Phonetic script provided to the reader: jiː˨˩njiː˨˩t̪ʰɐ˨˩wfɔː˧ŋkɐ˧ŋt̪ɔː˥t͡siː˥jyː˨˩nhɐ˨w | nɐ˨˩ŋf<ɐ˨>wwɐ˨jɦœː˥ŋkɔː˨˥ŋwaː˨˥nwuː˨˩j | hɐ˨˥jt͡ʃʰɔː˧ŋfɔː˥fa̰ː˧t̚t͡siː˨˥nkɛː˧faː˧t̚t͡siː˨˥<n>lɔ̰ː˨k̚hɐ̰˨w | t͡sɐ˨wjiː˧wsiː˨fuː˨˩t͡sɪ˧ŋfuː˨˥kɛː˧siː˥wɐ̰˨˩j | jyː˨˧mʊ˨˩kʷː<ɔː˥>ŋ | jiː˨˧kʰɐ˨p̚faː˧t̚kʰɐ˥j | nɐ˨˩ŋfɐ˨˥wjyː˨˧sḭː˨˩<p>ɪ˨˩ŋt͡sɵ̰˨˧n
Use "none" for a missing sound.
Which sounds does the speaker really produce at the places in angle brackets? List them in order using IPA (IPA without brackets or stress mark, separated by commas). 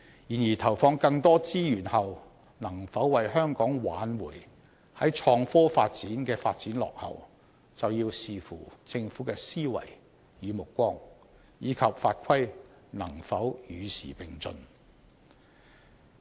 ɐ˨˥, n, ɔː˥, p